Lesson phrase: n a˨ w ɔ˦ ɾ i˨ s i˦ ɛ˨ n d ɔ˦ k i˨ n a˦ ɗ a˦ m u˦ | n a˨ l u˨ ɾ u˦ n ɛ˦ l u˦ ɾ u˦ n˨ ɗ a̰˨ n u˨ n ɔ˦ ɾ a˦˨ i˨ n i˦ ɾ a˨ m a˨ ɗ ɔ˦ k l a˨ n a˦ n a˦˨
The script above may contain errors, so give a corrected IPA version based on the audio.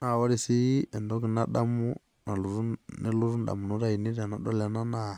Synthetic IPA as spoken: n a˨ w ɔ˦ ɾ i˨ s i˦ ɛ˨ n d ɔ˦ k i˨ n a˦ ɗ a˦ m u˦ | n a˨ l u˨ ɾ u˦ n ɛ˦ l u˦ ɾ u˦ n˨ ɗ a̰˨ m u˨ n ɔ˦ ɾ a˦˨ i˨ n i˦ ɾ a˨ n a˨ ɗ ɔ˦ l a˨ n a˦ n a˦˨